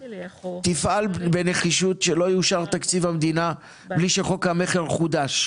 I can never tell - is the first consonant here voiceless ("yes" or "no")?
yes